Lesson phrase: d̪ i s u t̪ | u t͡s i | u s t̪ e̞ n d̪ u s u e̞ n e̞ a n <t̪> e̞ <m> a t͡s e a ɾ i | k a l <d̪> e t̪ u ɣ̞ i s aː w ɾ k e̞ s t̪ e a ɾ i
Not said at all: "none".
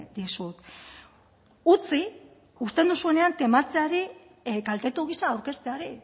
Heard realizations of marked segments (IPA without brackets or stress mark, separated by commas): t̪, m, t̪